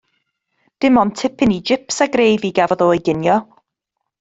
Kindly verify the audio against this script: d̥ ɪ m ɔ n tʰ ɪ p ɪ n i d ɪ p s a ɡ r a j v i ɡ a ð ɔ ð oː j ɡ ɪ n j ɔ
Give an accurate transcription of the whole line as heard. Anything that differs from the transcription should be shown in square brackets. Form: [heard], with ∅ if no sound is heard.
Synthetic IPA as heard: d̥ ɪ m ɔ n tʰ ɪ p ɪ n i [d͡ʒ] ɪ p s a ɡ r [e] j v i ɡ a [v] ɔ ð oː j ɡ ɪ n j ɔ